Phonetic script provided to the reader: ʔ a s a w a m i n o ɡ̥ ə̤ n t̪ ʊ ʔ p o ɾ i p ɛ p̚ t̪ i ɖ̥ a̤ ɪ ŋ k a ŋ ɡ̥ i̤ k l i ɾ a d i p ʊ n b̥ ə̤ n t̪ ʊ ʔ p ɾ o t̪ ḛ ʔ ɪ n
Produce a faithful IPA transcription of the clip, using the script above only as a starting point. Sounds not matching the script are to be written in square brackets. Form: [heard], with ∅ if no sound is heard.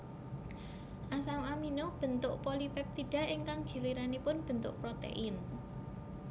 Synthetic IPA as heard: ʔ a s a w a m i n o [b̥] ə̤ n t̪ ʊ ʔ p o [l] i p ɛ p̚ t̪ i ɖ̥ a̤ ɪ ŋ k a ŋ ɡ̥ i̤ [∅] l i ɾ a [n] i p ʊ n b̥ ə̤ n t̪ ʊ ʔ p ɾ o t̪ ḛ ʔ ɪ n